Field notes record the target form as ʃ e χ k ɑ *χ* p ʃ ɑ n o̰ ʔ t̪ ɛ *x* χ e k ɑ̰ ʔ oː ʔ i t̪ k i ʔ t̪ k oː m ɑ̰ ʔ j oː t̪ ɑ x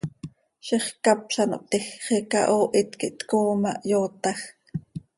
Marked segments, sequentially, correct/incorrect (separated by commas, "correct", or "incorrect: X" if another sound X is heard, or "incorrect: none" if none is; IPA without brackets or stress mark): incorrect: none, correct